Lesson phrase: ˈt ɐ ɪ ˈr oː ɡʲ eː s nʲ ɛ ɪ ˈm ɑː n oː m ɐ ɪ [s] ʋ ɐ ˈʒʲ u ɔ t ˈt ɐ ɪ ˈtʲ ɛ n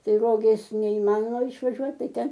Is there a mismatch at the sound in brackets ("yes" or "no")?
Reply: yes